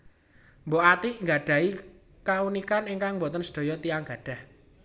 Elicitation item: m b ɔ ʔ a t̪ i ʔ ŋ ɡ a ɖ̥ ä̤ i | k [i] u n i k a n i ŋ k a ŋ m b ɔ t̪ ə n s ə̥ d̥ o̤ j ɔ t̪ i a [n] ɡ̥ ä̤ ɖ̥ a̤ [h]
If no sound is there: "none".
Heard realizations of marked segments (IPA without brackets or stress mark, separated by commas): a, ŋ, h